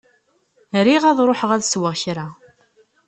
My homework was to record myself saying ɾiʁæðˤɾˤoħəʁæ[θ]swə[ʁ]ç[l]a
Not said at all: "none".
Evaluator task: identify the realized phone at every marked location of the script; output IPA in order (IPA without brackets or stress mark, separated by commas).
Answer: ð, ʁ, ɾ